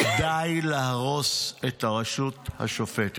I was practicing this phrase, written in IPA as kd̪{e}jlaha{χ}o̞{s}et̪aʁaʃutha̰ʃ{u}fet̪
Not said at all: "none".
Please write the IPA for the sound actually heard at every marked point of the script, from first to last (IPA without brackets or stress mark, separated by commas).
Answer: a, ʁ, s, o